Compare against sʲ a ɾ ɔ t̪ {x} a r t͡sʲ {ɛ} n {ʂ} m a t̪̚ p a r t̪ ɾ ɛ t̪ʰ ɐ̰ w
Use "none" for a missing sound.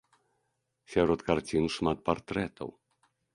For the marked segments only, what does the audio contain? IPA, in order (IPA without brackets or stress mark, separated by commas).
k, i, ʂ